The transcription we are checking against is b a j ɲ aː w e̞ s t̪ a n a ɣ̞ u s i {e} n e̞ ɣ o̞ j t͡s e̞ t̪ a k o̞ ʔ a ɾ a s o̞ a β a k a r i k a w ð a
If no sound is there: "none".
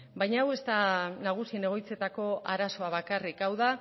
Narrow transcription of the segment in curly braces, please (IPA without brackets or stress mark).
e